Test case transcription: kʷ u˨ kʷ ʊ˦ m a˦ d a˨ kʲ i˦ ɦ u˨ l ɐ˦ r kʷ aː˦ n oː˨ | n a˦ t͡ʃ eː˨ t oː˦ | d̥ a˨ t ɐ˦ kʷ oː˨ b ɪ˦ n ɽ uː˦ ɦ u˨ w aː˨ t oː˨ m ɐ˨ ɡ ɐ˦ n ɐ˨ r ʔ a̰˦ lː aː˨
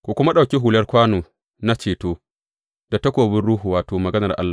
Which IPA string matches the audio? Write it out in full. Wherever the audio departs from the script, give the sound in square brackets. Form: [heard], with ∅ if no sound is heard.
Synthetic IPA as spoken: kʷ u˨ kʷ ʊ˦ m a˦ [ɗ] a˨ kʲ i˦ ɦ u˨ l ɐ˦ r kʷ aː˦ n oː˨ | n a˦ t͡ʃ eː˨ t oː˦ | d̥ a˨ t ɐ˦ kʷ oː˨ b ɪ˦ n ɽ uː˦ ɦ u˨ w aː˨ t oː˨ m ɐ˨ ɡ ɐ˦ n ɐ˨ r ʔ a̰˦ lː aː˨